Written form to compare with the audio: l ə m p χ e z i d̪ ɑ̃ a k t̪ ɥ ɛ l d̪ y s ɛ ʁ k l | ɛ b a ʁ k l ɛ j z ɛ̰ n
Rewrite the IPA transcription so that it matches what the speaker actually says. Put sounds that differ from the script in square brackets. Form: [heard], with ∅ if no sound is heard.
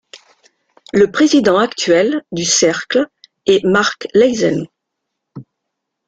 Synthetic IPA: l ə [∅] p χ e z i d̪ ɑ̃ a k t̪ ɥ ɛ l d̪ y s ɛ ʁ k l | ɛ [m] a ʁ k l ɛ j z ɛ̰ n